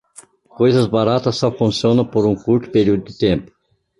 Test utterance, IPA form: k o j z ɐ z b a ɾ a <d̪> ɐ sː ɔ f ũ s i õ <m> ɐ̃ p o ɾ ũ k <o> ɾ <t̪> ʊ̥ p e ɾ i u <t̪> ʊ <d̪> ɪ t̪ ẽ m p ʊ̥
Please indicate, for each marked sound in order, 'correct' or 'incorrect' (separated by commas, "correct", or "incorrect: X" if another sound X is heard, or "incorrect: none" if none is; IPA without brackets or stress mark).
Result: incorrect: t̪, incorrect: n, incorrect: u, correct, incorrect: d̪, correct